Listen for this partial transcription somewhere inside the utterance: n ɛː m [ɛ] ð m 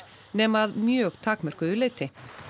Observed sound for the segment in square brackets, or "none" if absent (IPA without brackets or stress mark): a